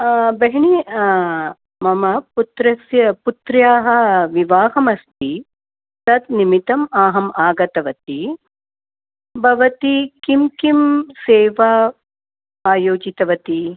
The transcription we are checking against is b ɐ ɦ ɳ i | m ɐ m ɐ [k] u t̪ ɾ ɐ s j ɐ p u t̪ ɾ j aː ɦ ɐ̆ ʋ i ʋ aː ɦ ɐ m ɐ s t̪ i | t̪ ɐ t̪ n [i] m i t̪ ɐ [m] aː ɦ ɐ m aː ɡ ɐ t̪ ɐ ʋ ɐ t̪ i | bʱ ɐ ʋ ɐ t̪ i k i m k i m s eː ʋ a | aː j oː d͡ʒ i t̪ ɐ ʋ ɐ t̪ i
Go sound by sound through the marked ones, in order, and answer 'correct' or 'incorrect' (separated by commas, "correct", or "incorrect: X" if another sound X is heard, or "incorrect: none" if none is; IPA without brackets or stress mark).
incorrect: p, correct, correct